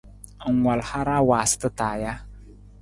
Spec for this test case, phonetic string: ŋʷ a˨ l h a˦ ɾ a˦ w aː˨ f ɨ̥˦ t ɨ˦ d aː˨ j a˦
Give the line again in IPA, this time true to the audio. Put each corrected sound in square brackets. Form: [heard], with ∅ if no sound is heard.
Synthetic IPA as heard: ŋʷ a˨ l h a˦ ɾ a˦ w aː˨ [s] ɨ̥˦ t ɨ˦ [t] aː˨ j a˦